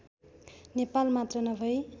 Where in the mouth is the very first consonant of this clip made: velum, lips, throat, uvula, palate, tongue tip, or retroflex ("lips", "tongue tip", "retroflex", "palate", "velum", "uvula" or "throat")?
tongue tip